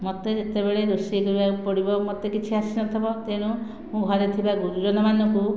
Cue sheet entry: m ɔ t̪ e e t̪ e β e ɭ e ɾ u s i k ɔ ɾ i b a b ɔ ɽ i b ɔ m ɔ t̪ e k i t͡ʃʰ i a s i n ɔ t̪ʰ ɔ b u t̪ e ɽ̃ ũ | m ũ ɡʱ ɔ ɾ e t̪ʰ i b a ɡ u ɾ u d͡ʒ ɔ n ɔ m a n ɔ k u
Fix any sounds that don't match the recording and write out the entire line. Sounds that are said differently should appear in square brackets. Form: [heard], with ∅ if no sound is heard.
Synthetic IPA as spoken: m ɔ t̪ e e t̪ e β e ɭ e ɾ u s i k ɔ ɾ i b a [p] ɔ ɽ i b ɔ m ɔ t̪ e k i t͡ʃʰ i a s i n ɔ t̪ʰ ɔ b [ɔ] t̪ e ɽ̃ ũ | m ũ ɡʱ ɔ ɾ e t̪ʰ i b a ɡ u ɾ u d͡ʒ ɔ n ɔ m a n ɔ k u